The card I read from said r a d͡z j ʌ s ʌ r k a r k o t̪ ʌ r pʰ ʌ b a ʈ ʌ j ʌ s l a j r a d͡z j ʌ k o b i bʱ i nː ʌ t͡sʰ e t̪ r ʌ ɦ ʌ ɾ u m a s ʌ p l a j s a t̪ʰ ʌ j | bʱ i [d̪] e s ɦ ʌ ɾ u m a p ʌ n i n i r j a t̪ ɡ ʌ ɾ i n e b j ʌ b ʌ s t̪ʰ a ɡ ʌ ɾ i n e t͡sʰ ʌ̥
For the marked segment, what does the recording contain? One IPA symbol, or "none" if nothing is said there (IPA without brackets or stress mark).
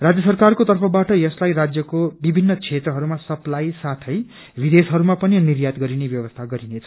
d̪